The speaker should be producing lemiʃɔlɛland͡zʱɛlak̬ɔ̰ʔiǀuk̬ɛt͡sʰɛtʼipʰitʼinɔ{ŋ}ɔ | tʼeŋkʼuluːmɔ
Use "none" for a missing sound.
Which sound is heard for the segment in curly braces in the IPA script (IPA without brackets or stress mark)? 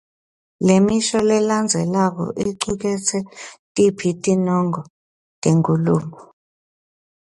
ŋ